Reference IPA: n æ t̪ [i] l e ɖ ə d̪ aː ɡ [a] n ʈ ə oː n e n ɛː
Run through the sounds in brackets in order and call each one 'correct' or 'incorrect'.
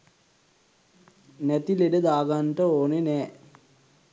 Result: correct, correct

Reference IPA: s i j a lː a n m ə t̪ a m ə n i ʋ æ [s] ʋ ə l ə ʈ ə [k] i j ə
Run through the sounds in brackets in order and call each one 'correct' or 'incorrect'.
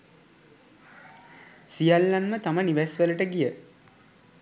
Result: correct, incorrect: ɡ

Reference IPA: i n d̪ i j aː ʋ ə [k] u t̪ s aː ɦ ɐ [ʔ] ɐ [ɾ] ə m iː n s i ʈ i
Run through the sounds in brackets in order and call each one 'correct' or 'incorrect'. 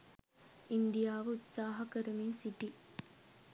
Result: incorrect: none, incorrect: k, correct

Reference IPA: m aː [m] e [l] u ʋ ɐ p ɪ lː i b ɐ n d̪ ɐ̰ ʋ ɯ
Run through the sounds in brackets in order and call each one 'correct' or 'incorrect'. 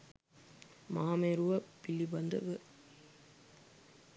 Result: correct, incorrect: ɾ

